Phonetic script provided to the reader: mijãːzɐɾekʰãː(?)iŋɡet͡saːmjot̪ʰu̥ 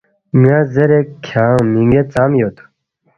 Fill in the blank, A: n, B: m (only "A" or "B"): B